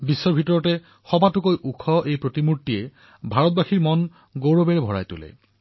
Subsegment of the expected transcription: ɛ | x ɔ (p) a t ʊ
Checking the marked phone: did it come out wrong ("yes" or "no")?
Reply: yes